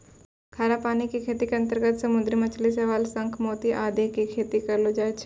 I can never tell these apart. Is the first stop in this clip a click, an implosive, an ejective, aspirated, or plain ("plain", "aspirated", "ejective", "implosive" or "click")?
aspirated